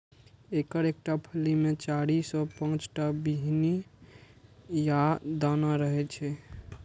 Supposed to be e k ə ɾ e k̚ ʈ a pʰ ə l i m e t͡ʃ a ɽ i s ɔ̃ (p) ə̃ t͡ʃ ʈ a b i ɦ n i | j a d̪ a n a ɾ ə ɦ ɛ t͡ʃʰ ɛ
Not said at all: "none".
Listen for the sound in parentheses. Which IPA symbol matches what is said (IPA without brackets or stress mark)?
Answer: p